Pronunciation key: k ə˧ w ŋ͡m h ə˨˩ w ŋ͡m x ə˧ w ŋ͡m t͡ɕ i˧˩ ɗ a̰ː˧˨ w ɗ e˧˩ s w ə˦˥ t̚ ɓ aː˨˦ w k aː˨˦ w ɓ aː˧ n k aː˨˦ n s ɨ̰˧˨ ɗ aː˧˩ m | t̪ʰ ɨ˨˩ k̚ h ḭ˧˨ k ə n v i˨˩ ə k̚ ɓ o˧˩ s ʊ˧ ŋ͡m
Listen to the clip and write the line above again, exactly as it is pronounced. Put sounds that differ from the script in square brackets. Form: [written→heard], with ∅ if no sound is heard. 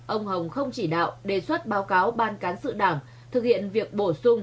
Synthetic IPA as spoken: [k→ʔ] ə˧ w ŋ͡m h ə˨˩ w ŋ͡m x ə˧ w ŋ͡m t͡ɕ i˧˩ ɗ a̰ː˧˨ w ɗ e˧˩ s w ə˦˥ t̚ ɓ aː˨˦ w k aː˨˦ w ɓ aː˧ n k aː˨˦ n s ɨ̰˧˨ ɗ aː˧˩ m | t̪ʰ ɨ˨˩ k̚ h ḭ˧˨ [k→∅] ə n v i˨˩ ə k̚ ɓ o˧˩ s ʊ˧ ŋ͡m